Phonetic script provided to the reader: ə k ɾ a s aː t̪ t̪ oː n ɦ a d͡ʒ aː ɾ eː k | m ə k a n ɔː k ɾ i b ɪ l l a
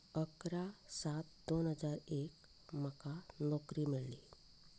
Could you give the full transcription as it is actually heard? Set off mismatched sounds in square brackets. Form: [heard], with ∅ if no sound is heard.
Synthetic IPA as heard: ə k ɾ a s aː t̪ [d̪] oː n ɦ [ə] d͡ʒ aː ɾ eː k | m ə k a n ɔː k ɾ i [m] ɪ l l [i]